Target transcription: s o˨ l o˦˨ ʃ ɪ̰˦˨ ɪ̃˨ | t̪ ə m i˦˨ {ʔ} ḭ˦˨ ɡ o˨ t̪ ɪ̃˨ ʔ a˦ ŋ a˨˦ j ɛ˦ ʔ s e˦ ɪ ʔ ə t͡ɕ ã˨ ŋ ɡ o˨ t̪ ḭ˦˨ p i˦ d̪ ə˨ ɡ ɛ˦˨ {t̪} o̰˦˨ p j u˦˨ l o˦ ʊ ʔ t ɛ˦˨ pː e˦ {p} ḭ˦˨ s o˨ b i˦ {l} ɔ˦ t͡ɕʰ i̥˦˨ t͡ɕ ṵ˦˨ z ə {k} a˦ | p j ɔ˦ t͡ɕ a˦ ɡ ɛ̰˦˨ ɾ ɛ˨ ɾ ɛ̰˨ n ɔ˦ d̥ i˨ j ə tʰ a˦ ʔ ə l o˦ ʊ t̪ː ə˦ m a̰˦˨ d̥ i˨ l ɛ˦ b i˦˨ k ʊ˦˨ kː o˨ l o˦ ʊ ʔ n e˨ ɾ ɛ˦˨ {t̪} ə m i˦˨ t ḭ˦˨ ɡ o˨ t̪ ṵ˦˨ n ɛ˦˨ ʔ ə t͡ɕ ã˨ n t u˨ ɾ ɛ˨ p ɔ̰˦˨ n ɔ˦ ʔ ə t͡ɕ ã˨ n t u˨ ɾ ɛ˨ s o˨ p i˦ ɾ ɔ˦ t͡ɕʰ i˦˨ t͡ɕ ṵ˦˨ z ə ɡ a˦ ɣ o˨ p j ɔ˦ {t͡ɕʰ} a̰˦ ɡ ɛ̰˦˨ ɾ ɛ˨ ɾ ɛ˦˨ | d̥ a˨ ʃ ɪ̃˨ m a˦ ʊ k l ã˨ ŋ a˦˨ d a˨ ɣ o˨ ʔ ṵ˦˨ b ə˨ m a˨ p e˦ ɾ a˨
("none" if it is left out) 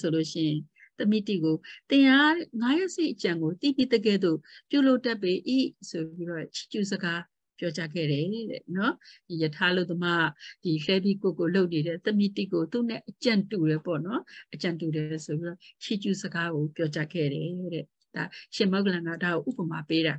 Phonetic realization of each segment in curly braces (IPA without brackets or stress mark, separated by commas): t, d̪, ʔ, ɾ, ɡ, t̪, t͡ɕ